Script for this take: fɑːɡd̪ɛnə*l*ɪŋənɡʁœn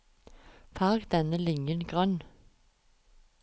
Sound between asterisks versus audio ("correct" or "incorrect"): correct